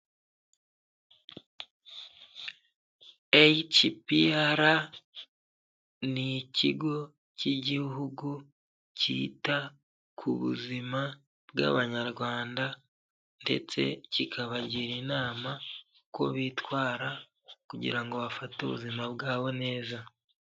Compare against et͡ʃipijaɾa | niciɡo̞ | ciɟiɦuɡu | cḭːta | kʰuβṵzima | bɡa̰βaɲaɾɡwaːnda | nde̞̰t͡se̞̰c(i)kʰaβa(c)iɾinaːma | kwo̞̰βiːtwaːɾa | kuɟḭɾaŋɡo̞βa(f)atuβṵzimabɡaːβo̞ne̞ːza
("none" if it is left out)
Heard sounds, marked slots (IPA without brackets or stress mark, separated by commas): i, ɟ, f